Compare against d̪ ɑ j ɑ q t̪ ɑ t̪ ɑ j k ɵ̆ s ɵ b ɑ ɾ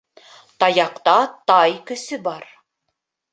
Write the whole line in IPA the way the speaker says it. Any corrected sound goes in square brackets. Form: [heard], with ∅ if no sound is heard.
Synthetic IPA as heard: [t̪] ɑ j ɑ q t̪ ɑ t̪ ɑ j k ɵ̆ s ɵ b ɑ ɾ